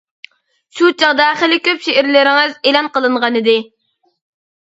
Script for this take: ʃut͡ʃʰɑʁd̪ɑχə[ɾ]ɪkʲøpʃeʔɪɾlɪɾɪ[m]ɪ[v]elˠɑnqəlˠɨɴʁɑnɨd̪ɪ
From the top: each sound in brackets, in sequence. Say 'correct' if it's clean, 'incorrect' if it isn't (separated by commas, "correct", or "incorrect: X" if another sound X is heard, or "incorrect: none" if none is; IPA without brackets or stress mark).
incorrect: l, incorrect: ŋ, incorrect: z